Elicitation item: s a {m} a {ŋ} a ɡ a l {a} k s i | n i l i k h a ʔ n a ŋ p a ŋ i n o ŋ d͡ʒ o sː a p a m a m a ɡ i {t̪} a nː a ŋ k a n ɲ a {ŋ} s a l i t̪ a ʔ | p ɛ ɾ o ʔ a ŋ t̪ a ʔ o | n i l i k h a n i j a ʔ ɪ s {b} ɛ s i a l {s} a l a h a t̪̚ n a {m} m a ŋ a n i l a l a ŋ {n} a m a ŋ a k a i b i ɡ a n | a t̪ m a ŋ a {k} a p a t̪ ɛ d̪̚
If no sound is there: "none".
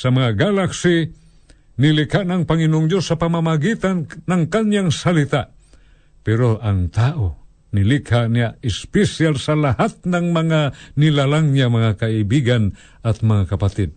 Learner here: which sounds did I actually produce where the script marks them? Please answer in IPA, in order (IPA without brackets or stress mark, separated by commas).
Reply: m, ŋ, a, t̪, ŋ, p, s, ŋ, ɲ, k